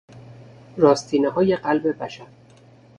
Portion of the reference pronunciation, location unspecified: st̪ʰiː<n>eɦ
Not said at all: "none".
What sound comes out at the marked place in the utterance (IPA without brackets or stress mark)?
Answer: n